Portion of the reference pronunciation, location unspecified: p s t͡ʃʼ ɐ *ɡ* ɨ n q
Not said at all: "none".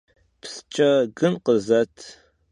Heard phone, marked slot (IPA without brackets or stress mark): ɡ